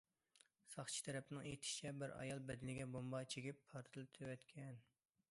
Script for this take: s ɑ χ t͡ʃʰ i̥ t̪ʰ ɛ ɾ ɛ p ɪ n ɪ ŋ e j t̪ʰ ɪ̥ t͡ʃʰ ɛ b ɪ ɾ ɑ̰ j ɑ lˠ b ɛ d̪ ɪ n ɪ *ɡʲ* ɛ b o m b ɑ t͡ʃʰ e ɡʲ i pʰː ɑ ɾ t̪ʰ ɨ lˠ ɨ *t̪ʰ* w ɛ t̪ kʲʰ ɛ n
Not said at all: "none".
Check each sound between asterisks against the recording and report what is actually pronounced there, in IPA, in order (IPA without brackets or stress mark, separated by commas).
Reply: ɡʲ, t̪ʰ